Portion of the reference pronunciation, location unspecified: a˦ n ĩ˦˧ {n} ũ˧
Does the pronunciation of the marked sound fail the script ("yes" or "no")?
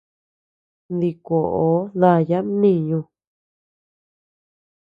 yes